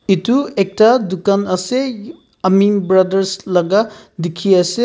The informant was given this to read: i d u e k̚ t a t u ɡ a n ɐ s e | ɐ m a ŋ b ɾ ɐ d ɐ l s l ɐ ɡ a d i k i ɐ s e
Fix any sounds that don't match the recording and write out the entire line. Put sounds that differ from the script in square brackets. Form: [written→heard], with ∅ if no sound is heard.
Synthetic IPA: i [d→t] u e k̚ t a [t→d] u [ɡ→k] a n ɐ s e | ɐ m [a→i] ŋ b ɾ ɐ d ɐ [l→ɾ] s l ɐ ɡ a d i [k→kʰ] i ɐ s e